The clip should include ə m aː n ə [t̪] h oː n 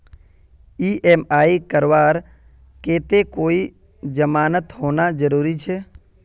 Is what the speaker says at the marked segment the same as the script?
yes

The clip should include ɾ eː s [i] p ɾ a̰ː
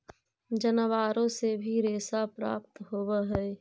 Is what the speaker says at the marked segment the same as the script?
no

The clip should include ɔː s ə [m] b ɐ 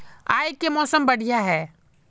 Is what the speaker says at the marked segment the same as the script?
yes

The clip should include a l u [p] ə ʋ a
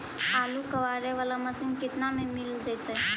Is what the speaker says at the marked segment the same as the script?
no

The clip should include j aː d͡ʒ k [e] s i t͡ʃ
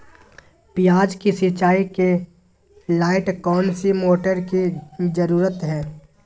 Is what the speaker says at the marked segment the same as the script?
no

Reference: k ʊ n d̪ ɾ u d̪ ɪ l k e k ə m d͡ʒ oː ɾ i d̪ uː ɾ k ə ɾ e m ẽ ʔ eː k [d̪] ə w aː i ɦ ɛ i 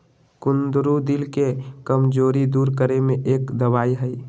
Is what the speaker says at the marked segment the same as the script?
yes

